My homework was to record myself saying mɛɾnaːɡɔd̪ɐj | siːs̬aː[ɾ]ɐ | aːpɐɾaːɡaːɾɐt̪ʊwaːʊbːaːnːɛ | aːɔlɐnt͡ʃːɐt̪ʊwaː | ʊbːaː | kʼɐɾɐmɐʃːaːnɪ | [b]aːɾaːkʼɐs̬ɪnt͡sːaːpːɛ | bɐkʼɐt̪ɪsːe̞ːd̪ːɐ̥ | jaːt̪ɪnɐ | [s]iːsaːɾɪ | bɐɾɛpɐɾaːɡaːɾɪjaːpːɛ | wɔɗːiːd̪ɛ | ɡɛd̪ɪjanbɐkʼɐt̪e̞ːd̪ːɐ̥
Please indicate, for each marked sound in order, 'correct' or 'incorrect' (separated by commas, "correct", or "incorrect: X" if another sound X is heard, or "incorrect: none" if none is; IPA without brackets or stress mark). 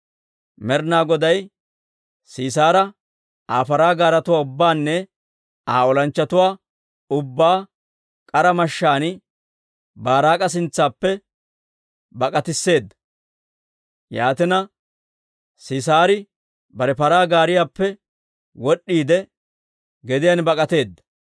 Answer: correct, correct, correct